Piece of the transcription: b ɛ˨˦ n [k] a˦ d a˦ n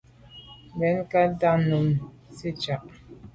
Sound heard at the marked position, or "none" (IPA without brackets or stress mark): k